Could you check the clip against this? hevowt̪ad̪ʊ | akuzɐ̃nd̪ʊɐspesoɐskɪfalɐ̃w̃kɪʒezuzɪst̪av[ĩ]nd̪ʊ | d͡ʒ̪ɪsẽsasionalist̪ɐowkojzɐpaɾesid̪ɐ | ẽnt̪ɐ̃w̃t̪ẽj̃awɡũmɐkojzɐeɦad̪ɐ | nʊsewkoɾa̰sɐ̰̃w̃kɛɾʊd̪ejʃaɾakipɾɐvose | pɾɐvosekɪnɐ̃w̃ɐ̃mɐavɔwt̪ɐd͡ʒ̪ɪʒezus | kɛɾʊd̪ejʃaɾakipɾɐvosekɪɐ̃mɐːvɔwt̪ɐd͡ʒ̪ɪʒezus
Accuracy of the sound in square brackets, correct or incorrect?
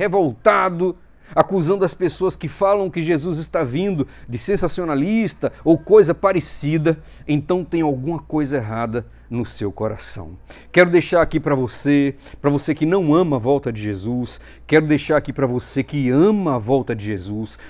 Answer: correct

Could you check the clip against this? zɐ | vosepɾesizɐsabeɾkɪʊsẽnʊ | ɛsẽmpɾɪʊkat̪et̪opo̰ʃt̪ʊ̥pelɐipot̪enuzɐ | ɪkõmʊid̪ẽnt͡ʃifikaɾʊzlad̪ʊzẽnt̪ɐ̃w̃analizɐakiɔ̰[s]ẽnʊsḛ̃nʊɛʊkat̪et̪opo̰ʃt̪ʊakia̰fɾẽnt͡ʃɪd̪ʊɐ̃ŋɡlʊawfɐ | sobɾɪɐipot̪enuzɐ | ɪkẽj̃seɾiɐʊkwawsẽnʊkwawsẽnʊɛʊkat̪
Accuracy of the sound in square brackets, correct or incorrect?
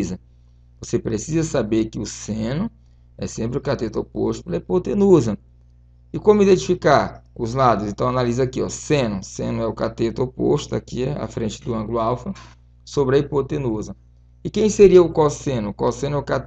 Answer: correct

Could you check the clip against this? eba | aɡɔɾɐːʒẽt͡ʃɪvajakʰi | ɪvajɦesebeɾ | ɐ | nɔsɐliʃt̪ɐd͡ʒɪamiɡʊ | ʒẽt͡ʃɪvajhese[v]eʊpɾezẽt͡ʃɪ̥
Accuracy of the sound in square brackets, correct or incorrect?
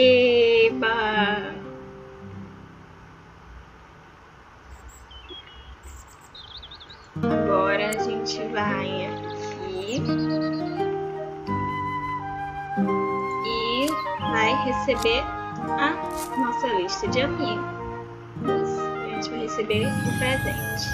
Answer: incorrect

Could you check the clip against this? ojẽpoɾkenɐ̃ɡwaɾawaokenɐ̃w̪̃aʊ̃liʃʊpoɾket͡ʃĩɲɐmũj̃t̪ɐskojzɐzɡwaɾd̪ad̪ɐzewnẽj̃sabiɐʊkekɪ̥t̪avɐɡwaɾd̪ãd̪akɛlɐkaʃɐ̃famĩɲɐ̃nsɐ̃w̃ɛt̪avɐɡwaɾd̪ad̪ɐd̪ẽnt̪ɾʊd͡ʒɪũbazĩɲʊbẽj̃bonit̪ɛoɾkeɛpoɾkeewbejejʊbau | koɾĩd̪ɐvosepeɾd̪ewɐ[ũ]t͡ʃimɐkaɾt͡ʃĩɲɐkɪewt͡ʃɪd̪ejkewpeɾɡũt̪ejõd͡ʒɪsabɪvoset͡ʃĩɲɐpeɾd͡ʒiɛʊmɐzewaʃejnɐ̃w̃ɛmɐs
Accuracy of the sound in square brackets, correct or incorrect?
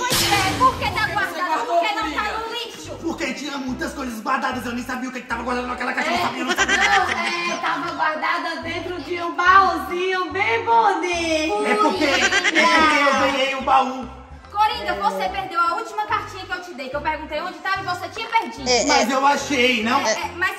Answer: incorrect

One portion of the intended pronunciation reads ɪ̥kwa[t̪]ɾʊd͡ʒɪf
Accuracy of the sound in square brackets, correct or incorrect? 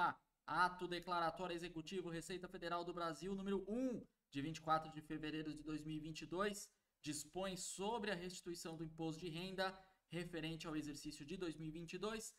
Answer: correct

